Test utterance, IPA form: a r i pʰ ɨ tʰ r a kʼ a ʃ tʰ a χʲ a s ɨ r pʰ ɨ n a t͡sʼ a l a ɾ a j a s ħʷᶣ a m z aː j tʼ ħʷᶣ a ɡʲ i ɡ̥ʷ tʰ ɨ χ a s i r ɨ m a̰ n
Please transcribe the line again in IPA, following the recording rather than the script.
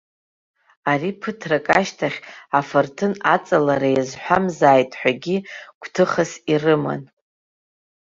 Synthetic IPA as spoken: a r i pʰ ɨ tʰ r a kʼ a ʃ tʰ a χʲ a f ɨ r tʰ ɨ n a t͡sʼ a l a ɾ a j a z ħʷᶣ a m z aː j tʼ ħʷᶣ a ɡʲ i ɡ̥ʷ tʰ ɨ χ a s i r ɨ m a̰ n